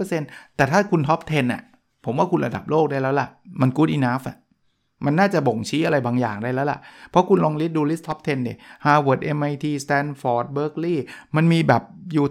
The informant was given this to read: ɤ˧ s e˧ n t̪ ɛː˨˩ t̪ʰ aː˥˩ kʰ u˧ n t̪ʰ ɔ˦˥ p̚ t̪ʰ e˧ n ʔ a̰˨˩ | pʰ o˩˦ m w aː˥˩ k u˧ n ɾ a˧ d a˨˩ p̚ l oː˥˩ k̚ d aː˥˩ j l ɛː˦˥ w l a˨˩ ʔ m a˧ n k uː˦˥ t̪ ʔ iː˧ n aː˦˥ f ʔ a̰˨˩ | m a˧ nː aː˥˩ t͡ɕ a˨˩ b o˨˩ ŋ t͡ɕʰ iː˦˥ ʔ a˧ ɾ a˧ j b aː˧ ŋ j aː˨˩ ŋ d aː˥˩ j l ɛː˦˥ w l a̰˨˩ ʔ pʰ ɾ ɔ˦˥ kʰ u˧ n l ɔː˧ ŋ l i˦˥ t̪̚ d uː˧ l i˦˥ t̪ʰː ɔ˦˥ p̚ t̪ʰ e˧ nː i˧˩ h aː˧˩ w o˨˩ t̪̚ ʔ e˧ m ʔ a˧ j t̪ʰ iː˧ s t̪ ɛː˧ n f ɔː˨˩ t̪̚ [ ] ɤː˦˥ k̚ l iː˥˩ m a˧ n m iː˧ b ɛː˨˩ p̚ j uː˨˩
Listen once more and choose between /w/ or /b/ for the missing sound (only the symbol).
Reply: b